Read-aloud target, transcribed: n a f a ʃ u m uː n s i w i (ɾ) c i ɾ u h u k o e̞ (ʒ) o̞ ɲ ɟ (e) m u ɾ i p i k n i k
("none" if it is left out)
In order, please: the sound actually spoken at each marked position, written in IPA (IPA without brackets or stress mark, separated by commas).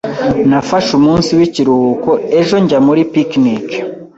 none, ʒ, a